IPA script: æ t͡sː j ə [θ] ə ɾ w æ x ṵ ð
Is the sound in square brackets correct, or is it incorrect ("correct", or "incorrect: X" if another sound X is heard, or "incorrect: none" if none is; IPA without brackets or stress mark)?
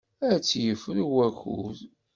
incorrect: f